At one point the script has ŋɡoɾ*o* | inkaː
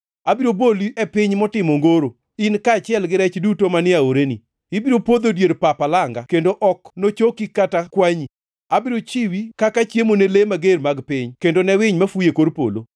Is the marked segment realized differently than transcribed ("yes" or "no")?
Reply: no